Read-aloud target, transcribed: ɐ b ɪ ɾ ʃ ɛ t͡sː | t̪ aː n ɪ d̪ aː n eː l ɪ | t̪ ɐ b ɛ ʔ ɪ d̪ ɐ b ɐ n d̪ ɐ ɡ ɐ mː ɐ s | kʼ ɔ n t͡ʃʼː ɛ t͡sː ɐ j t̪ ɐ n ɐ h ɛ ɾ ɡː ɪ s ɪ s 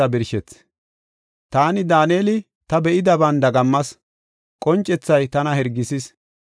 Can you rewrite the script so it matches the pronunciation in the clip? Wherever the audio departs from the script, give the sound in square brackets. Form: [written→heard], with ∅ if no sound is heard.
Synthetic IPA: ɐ b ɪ ɾ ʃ ɛ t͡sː | t̪ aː n ɪ d̪ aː n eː l ɪ | t̪ ɐ b ɛ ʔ ɪ d̪ ɐ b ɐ n d̪ ɐ ɡ ɐ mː ɐ s | kʼ ɔ n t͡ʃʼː ɛ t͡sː ɐ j t̪ ɐ n ɐ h ɛ ɾ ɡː ɪ s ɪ s